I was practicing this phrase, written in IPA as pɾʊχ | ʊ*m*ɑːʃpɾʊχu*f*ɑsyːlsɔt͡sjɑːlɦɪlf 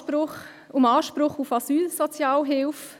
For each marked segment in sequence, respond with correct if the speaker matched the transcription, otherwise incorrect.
correct, correct

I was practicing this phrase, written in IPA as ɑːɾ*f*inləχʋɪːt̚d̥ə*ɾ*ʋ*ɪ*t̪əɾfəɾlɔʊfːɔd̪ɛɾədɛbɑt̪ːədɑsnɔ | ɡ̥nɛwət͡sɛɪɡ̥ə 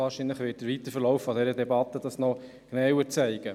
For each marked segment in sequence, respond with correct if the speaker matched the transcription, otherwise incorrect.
incorrect: ʃ, correct, incorrect: i

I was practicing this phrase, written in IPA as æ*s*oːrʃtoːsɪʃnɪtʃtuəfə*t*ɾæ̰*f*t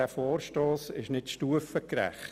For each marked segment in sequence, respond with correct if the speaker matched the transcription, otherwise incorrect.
incorrect: f, incorrect: k, incorrect: χ

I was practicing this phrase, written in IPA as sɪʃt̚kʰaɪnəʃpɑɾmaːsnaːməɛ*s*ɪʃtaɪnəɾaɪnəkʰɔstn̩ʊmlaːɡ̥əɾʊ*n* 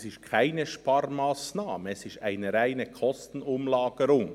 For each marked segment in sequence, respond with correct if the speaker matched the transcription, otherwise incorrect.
correct, incorrect: ŋ

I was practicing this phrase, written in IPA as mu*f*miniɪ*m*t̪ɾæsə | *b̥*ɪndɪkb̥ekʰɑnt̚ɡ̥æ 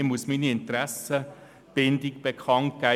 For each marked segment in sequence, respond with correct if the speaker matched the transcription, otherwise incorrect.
incorrect: s, incorrect: n, correct

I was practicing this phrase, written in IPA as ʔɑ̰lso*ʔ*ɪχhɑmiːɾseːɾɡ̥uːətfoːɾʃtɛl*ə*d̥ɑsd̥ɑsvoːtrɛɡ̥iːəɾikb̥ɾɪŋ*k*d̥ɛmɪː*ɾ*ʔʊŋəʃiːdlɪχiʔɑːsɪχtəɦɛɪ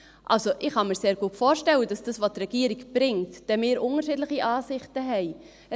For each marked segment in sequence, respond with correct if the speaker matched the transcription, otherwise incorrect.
correct, correct, incorrect: t, correct

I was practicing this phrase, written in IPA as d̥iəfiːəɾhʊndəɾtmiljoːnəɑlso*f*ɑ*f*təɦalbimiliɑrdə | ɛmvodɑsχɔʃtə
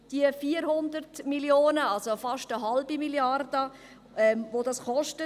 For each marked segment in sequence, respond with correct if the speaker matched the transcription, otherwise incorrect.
correct, incorrect: ʃ

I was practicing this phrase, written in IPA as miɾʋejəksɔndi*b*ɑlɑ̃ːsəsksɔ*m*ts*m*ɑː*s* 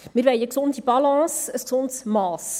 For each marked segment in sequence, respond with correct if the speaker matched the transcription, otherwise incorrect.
correct, incorrect: n, correct, correct

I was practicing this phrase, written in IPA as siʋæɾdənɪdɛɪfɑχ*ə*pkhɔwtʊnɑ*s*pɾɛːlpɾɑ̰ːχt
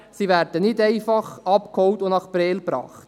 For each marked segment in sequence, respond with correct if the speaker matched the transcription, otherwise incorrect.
incorrect: ɑ, incorrect: χ

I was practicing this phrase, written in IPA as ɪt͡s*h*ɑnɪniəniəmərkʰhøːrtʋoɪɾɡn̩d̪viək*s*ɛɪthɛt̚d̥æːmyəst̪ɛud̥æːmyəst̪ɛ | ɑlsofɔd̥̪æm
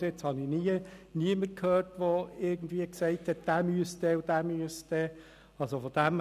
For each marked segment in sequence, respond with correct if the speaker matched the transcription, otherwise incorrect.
correct, correct

